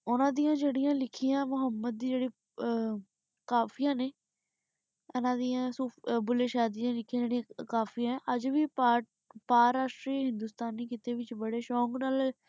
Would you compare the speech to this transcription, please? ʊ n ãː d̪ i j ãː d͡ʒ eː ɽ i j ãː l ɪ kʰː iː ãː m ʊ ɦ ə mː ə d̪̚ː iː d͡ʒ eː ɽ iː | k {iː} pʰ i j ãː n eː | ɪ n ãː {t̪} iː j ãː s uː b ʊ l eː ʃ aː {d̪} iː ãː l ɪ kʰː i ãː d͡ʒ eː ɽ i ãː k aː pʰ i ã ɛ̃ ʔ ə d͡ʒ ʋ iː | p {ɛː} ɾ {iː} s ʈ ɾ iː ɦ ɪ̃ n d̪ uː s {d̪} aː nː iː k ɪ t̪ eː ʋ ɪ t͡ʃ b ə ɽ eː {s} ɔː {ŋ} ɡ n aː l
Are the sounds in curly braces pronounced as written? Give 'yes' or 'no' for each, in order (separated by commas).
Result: no, no, yes, no, no, no, no, yes